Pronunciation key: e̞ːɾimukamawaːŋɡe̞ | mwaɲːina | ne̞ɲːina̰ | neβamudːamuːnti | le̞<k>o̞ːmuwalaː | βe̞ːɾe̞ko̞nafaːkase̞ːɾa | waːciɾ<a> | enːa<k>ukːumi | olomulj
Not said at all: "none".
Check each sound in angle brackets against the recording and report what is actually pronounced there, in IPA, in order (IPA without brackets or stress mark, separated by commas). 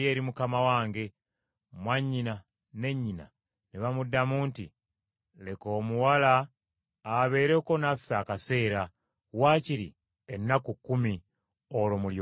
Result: k, i, k